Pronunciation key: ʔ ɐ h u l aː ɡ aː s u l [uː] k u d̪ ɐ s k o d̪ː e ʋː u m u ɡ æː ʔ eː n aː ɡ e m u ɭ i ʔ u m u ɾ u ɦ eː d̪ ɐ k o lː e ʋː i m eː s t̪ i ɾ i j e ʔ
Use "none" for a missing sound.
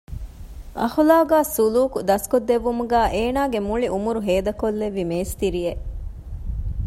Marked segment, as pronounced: uː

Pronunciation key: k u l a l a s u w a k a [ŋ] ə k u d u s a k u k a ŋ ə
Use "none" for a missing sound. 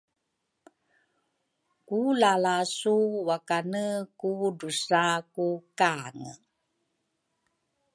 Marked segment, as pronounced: n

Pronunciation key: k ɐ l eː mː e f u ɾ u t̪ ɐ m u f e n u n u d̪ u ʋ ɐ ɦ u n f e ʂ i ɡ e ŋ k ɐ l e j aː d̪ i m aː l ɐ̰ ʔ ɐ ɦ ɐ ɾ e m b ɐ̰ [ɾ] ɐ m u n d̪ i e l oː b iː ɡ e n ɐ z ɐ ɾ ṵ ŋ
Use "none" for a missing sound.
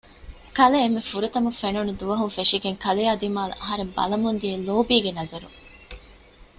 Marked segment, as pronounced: l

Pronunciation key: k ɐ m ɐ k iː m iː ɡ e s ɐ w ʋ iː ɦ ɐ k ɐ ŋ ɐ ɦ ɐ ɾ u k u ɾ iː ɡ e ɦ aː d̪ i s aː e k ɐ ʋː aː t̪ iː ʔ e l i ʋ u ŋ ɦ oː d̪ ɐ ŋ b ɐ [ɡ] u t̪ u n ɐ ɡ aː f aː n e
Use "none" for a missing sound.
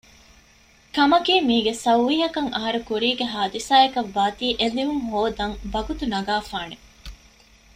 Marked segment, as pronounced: ɡ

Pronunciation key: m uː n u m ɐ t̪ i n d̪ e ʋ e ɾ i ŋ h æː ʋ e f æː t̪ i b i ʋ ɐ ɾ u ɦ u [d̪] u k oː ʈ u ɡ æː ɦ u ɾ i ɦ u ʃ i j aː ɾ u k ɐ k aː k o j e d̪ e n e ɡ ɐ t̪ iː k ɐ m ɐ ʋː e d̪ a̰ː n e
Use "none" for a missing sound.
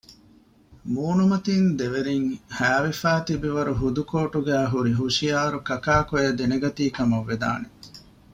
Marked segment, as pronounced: d̪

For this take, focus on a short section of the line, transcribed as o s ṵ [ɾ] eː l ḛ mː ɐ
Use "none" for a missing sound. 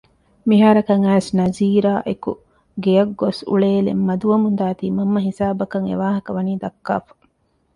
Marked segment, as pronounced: ɭ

